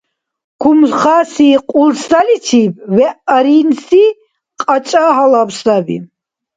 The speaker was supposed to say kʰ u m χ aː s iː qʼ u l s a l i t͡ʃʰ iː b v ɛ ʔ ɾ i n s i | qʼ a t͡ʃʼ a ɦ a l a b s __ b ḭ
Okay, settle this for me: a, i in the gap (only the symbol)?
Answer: a